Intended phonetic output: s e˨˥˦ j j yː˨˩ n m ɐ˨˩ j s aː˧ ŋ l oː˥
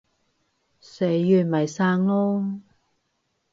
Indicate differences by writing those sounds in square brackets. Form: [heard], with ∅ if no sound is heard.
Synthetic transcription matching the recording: s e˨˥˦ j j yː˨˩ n m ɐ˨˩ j s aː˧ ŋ l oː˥